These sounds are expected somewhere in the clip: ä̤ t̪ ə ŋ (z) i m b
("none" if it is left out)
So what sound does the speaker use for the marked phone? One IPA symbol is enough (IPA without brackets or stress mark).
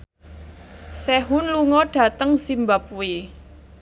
s